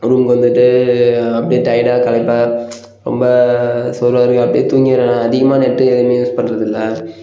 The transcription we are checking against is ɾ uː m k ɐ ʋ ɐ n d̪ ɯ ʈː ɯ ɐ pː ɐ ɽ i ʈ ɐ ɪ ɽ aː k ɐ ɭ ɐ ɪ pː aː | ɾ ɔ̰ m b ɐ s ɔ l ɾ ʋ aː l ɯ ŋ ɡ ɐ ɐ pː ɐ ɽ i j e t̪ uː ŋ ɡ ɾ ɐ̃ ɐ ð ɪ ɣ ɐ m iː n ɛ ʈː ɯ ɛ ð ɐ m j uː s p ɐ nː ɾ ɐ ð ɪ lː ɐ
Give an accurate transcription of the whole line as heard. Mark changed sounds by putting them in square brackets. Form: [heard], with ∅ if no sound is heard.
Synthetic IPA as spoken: ɾ uː m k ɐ ʋ ɐ n d̪ ɯ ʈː ɯ ɐ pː ɐ ɽ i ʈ ɐ ɪ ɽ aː k ɐ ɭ ɐ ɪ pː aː | ɾ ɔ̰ m b ɐ s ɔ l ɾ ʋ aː [ɾ] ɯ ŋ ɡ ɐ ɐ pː ɐ ɽ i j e t̪ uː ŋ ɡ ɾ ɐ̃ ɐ ð ɪ ɣ ɐ m [aː] n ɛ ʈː ɯ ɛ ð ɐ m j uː s p ɐ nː ɾ ɐ ð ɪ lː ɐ